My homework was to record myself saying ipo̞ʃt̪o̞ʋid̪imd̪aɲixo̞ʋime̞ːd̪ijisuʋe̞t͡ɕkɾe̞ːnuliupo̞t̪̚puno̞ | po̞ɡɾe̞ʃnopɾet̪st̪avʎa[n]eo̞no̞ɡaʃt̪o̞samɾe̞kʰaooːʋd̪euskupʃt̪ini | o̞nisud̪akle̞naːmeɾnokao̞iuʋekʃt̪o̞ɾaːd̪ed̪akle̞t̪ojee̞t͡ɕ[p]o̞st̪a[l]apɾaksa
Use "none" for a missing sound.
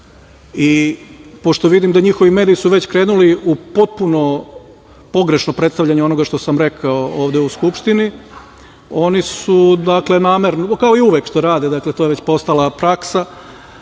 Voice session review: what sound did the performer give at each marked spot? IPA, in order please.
ɲ, p, l

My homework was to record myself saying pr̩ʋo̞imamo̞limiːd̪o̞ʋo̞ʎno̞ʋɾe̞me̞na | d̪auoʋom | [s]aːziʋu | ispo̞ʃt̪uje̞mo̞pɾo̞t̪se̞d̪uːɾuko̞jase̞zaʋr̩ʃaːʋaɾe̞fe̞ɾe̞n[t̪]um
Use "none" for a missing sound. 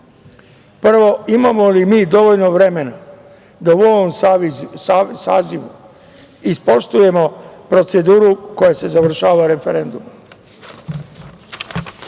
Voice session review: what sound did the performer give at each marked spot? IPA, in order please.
s, d̪

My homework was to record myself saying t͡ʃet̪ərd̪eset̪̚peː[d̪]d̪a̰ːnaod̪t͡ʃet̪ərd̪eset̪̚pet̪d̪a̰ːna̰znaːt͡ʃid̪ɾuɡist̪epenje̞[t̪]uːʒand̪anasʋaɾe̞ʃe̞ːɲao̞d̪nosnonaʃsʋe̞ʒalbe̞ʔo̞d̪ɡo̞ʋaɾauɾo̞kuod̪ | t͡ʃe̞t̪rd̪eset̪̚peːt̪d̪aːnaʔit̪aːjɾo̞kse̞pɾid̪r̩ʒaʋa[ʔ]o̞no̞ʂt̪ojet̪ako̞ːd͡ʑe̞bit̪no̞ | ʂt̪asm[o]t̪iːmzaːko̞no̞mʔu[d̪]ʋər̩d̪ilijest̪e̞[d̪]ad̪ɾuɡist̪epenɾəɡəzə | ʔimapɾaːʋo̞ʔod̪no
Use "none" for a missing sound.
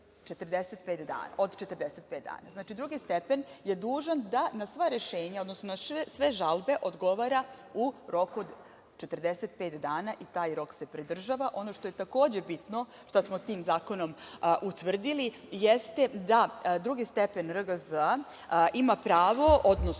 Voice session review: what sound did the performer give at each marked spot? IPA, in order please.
t̪, d̪, ʔ, o, t̪, d̪

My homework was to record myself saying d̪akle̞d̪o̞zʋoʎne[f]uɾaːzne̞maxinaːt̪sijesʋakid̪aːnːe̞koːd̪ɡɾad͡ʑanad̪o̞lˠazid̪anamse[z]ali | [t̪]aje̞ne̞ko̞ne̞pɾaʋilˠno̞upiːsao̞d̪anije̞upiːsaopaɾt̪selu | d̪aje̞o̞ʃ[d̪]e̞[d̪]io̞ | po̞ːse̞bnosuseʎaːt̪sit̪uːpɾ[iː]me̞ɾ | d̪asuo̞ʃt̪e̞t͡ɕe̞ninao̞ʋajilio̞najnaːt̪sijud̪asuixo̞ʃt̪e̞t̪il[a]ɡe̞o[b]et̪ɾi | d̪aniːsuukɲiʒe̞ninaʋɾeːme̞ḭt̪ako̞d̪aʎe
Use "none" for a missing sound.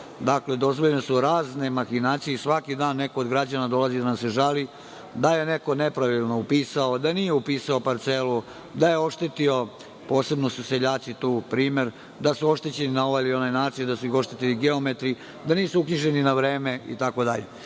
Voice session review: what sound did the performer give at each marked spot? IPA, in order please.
s, ʒ, d̪, t̪, t̪, iː, i, m

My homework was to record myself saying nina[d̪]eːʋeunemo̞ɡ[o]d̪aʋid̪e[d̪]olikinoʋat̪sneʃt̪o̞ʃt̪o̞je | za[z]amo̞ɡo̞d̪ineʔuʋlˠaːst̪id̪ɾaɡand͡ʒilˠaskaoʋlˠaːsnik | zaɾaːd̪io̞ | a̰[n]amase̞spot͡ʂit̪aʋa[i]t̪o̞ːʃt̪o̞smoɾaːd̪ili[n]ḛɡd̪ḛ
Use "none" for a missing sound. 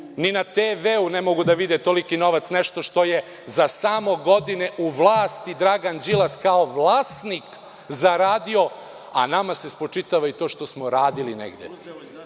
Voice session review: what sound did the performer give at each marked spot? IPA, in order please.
t̪, u, t̪, s, n, i, n

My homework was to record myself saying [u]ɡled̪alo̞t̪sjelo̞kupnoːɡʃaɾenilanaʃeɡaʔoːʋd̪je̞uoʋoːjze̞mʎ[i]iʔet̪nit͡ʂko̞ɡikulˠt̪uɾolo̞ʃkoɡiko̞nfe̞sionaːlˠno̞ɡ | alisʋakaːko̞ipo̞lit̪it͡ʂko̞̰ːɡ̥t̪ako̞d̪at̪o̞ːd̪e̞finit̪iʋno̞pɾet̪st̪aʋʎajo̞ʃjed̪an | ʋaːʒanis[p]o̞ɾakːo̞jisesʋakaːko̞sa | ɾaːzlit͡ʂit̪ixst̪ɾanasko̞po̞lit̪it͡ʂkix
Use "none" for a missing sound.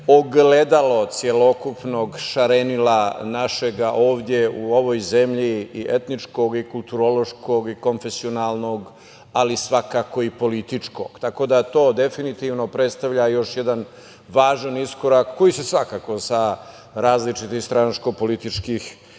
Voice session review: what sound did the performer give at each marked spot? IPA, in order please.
o, i, k

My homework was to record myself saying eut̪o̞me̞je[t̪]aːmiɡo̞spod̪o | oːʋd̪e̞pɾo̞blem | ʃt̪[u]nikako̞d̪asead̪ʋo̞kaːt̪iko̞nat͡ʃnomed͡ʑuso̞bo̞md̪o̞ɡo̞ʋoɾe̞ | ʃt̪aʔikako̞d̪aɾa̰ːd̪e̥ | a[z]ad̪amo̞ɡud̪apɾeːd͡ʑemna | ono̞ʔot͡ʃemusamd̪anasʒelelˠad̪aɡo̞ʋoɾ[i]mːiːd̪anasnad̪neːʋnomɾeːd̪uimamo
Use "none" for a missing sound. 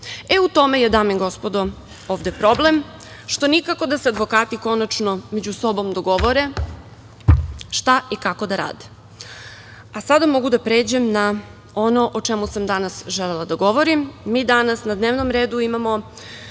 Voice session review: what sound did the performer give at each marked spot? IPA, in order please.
d̪, o, s, i

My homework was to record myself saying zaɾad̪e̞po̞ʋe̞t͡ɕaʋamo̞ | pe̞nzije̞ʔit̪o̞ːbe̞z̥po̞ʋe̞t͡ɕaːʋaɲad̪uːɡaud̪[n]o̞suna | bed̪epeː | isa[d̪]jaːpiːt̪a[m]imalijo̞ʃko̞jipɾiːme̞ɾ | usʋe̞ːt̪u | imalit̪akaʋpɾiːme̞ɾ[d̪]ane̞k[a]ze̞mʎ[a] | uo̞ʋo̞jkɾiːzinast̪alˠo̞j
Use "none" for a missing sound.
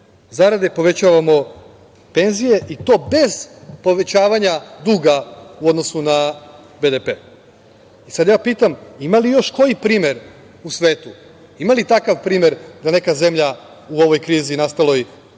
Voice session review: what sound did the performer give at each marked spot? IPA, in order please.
n, d̪, m, d̪, a, a

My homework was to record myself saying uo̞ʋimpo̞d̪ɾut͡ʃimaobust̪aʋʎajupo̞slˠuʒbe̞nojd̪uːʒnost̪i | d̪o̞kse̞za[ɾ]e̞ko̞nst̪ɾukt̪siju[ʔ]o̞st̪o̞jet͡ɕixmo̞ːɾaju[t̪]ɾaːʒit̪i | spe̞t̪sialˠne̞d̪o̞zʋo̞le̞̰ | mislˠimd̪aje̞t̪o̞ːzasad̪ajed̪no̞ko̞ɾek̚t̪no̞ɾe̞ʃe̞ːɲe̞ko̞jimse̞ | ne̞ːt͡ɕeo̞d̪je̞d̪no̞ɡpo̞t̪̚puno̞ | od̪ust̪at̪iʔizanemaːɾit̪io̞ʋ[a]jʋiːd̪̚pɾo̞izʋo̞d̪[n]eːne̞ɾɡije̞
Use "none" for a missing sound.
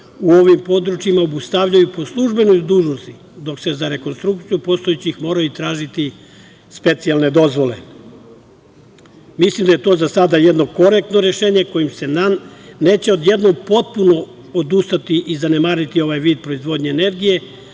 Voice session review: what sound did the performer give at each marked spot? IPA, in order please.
ɾ, p, t̪, a, ɲ

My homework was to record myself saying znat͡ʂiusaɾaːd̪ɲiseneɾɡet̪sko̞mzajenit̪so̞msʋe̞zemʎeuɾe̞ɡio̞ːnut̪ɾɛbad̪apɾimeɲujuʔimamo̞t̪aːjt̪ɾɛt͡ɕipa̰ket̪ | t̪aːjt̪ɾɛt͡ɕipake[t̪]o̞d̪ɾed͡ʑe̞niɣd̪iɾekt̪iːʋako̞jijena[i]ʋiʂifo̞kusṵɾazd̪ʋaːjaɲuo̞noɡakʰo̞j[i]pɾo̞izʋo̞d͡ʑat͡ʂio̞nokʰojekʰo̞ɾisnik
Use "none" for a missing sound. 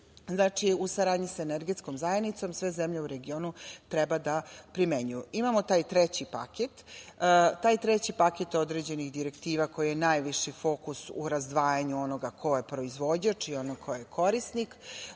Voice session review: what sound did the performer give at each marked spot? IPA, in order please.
t̪, j, e

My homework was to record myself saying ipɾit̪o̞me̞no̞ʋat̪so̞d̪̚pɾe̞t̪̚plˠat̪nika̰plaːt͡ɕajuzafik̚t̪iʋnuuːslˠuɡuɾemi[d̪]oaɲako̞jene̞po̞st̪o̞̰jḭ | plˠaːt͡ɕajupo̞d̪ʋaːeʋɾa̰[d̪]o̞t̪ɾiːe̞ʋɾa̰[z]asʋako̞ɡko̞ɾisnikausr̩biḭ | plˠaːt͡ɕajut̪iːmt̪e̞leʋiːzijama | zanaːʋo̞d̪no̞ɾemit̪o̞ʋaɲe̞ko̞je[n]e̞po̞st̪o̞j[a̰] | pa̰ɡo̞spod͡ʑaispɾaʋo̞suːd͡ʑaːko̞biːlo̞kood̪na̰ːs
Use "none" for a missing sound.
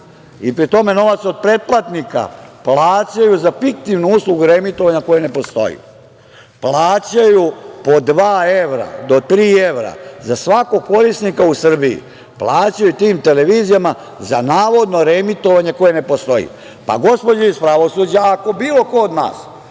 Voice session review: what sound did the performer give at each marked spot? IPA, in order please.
t̪, d̪, z, n, ḭ

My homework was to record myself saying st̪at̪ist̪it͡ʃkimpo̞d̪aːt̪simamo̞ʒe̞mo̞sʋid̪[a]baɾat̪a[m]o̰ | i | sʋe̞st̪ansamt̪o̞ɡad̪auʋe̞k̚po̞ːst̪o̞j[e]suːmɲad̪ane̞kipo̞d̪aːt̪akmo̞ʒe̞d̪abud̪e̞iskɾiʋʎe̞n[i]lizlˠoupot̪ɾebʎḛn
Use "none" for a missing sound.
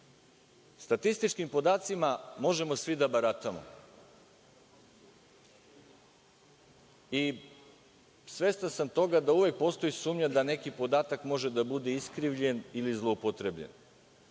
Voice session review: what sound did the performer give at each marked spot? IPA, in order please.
a, m, i, i

